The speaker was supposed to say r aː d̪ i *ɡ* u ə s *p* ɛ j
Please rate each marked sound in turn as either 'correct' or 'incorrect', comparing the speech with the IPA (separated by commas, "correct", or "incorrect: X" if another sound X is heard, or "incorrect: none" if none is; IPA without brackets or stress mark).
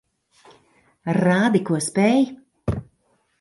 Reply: incorrect: k, correct